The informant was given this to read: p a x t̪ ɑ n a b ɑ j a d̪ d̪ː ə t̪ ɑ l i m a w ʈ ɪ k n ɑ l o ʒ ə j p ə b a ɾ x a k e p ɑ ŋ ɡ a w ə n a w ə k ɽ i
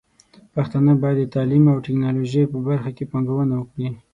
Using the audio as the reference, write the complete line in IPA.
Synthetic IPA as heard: p a x t̪ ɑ n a b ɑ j a d̪ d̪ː ə t̪ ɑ l i m a w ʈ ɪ k n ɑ l o ʒ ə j p ə b a ɾ x a k e p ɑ ŋ ɡ a w ə n a w ə k ɽ i